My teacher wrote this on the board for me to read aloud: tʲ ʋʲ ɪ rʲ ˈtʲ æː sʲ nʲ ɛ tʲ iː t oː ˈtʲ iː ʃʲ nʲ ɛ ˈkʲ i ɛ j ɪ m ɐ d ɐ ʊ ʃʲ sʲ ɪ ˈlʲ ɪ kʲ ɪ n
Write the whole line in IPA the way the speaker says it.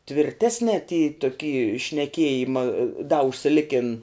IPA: tʲ ʋʲ ɪ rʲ ˈtʲ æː sʲ nʲ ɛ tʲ iː t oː ˈkʲ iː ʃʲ nʲ ɛ ˈkʲ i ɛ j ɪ m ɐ d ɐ ʊ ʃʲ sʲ ɪ ˈlʲ ɪ kʲ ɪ n